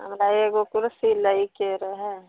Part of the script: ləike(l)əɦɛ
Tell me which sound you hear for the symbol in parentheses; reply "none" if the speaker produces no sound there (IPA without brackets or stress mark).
ɾ